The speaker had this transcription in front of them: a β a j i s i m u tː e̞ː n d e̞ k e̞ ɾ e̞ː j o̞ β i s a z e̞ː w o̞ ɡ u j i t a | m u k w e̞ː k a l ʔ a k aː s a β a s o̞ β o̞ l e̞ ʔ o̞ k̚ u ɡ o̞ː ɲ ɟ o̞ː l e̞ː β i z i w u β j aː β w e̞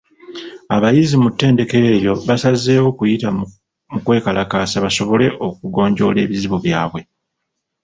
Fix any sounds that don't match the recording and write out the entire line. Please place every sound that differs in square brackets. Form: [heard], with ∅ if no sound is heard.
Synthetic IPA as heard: a β a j i [z] i m u tː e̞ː n d e̞ k e̞ ɾ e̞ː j o̞ β [a] s a z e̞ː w o̞ [k] u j i t a | m u k w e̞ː k a l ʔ a k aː s a β a s o̞ β o̞ l e̞ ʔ o̞ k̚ u ɡ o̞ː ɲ ɟ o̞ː l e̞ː β i z i [β] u β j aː β w e̞